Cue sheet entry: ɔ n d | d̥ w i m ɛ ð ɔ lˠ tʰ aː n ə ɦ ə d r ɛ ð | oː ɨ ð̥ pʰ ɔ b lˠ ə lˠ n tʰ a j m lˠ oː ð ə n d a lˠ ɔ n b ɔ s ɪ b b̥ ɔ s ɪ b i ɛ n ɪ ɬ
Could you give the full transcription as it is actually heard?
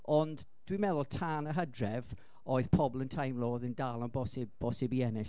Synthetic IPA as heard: ɔ n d | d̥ w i m ɛ ð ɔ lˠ tʰ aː n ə ɦ ə d r ɛ v | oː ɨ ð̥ pʰ ɔ b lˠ ə n tʰ a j m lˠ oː ð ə n d a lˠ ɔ n b ɔ s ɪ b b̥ ɔ s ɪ b i ɛ n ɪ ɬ